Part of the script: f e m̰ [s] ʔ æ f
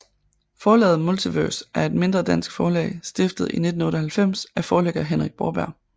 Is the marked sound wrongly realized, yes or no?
no